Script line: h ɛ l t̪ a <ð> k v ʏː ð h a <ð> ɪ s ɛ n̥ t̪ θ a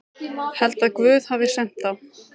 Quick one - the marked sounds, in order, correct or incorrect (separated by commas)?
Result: correct, incorrect